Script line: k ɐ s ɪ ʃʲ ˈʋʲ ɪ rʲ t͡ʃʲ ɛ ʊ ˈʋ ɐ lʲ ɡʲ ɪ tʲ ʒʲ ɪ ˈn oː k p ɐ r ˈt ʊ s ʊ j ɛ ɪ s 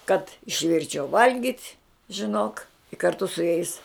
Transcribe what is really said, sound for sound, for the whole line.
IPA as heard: k ɐ t ɪ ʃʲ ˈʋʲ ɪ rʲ t͡ʃʲ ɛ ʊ ˈʋ ɐ lʲ ɡʲ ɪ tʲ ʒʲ ɪ ˈn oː k k ɐ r ˈt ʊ s ʊ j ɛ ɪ s